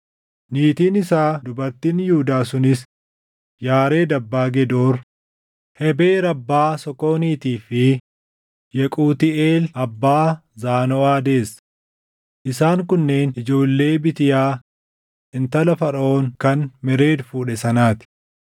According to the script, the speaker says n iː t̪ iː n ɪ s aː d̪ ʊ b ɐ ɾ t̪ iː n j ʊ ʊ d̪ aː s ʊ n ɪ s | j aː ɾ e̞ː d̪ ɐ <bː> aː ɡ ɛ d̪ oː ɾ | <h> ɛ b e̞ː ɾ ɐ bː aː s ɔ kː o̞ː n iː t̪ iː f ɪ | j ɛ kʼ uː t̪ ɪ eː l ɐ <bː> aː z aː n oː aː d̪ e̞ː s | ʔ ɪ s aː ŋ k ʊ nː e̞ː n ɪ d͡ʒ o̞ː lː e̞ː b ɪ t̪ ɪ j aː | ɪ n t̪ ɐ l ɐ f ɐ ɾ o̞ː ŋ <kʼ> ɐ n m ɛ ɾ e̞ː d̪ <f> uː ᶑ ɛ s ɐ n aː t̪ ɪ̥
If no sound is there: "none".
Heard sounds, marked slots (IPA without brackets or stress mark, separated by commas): bː, h, bː, k, f